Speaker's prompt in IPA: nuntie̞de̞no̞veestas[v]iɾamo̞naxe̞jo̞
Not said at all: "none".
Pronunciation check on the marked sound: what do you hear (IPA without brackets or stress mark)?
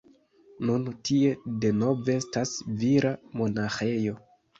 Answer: v